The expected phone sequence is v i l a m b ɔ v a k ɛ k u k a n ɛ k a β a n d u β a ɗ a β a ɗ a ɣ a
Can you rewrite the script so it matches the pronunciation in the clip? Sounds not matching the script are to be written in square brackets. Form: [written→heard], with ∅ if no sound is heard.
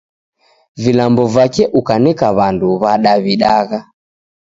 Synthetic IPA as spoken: v i l a m b ɔ v a k ɛ [k→ʔ] u k a n ɛ k a β a n d u β a ɗ a β [a→i] ɗ a ɣ a